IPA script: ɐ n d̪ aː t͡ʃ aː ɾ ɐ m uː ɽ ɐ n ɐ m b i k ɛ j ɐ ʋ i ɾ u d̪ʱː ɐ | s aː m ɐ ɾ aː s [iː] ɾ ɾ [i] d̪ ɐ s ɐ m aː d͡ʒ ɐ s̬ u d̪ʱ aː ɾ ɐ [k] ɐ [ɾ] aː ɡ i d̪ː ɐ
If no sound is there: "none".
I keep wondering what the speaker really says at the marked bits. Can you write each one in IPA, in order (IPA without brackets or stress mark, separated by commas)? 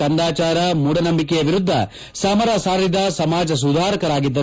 aː, i, k, ɾ